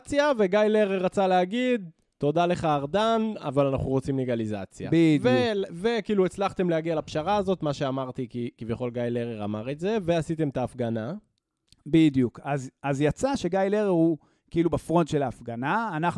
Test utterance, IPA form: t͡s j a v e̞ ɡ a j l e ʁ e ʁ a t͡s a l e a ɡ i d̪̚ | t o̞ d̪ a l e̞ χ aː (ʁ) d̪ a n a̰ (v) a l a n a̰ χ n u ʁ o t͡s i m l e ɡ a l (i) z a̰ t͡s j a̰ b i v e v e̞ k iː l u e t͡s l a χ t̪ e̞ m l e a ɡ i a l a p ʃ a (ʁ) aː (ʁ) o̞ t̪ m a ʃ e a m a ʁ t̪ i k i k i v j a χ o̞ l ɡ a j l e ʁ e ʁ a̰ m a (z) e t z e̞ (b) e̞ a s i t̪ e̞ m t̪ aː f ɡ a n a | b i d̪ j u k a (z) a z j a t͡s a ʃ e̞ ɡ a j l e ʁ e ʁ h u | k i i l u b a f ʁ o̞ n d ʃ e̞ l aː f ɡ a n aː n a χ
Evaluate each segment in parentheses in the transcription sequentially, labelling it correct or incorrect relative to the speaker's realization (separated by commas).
correct, correct, correct, correct, incorrect, incorrect, incorrect, correct